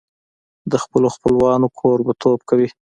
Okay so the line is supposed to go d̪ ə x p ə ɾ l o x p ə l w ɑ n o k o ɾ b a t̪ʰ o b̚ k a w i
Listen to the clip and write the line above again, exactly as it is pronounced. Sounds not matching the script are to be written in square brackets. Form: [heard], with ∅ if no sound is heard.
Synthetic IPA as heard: d̪ ə x p ə [∅] l o x p ə l w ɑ n o [kʰ] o ɾ b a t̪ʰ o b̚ k a w i